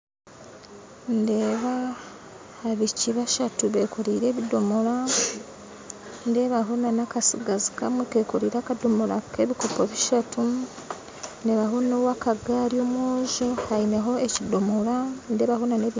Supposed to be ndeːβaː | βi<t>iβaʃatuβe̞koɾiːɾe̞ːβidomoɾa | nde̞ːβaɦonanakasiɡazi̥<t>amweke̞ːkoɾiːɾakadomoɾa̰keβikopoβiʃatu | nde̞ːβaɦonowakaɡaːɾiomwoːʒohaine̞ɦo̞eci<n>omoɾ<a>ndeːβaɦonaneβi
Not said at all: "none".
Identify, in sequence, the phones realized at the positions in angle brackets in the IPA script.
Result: c, k, d, a

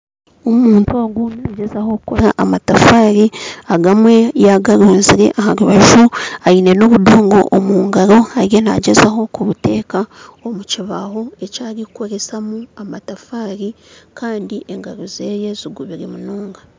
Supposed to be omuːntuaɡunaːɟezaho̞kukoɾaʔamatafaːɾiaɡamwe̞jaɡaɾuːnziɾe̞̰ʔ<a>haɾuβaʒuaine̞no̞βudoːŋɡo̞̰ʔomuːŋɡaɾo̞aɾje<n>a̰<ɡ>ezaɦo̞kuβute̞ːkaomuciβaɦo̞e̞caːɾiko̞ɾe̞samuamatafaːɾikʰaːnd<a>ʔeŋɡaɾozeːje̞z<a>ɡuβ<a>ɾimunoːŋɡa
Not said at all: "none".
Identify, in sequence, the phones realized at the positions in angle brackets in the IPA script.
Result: a, n, ɟ, i, i, i

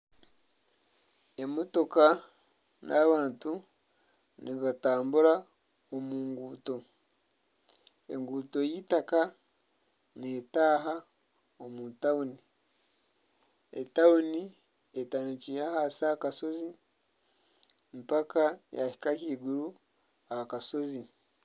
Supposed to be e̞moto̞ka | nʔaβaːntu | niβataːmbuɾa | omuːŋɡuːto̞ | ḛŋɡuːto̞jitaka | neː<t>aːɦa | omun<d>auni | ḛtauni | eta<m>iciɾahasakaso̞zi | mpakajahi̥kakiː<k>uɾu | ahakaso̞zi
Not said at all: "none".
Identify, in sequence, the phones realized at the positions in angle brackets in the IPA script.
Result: t, t, n, ɡ

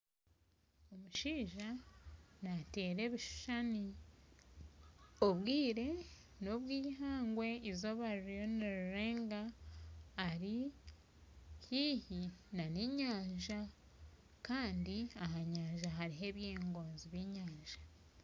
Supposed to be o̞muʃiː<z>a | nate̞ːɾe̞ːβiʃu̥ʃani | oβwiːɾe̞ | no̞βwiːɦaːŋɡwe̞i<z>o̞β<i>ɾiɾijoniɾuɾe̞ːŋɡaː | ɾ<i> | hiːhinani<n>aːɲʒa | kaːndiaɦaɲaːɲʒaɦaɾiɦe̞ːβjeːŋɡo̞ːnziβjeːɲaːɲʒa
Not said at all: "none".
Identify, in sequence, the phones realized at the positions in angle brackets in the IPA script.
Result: ʒ, z, a, i, ɲ

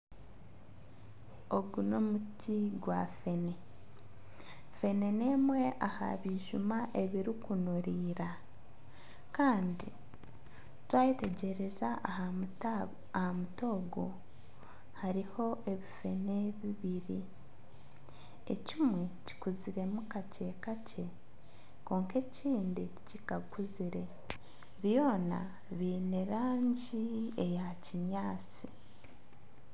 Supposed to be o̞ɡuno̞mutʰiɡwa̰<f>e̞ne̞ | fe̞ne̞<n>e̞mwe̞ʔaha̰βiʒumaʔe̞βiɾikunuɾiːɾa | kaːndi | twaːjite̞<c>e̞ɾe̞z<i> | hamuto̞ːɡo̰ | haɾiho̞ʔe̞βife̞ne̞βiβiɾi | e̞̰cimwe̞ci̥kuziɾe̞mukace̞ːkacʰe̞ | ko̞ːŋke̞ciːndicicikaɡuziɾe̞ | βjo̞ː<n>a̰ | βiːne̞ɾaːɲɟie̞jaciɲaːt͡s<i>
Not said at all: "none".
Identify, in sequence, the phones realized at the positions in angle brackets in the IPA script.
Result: f, n, ɟ, a, n, i

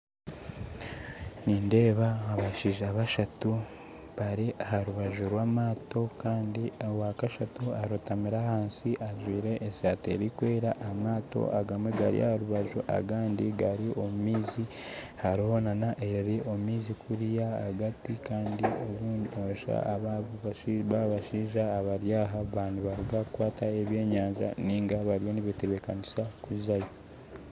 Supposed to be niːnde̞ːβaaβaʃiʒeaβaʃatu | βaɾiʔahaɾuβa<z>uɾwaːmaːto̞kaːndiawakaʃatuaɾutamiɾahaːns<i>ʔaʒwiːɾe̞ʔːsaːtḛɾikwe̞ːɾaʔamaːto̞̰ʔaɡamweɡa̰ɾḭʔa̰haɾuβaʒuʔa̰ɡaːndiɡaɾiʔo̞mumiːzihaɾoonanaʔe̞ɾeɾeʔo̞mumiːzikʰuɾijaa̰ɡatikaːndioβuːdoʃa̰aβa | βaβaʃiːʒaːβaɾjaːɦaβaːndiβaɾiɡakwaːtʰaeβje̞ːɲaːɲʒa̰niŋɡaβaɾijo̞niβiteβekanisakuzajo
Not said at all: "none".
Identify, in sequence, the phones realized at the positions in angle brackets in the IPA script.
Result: ʒ, i

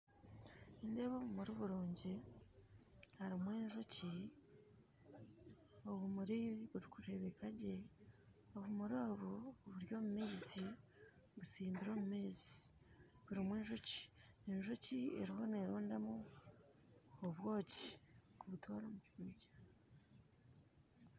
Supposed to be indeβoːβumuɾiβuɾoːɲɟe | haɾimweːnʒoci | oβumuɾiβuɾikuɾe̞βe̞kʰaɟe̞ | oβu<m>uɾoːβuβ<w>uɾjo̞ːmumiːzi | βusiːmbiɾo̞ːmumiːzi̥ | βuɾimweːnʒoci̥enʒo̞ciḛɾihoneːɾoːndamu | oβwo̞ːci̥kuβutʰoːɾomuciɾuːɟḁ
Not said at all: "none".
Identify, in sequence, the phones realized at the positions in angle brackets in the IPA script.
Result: m, β

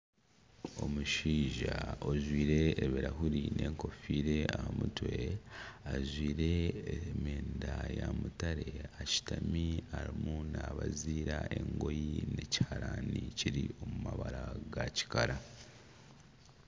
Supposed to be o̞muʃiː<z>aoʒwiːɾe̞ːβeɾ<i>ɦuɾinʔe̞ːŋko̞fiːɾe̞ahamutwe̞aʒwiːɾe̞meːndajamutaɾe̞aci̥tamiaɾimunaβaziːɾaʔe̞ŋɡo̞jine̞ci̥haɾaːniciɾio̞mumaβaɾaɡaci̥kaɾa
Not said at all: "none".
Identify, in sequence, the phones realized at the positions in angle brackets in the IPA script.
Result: ʒ, a

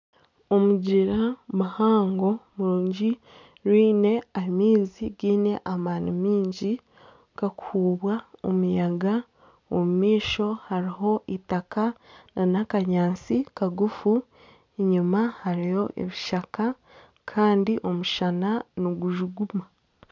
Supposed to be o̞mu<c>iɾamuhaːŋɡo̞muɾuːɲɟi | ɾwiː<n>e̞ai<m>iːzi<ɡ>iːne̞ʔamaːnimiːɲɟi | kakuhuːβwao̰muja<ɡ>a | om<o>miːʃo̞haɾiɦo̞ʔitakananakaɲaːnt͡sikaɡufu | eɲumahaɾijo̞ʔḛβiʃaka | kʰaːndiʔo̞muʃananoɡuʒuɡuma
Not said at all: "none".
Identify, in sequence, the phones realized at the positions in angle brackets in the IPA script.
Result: ɟ, n, m, ɡ, ɡ, u

